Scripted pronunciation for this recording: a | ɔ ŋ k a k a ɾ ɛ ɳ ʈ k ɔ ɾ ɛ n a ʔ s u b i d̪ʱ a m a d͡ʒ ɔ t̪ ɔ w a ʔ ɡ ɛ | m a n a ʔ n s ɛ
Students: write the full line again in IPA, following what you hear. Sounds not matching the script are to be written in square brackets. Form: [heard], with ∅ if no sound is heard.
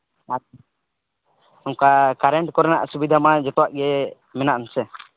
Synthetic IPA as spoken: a | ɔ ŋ k a k a ɾ ɛ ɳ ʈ k ɔ ɾ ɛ n a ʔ s u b i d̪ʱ a m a d͡ʒ ɔ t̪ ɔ w a ʔ ɡ ɛ | m [ɛ] n a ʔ n s ɛ